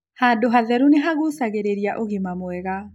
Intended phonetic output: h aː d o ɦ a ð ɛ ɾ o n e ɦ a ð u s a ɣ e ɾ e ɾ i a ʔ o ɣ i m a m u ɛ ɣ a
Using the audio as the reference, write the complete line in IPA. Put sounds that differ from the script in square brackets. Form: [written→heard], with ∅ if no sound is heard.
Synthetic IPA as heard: h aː d o ɦ a ð ɛ ɾ [o→u] n e ɦ a [ð→ɣ] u s a ɣ e ɾ e ɾ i a ʔ o ɣ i m a m [u→w] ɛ ɣ a